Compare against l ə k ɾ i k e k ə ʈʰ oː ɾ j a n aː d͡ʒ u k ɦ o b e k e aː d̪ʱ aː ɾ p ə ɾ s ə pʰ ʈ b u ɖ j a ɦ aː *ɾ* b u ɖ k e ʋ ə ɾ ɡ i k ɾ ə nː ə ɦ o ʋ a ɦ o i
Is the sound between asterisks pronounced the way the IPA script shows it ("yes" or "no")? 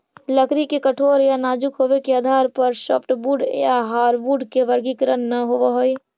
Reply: yes